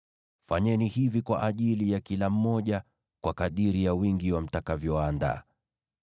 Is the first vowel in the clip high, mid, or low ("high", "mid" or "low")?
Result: low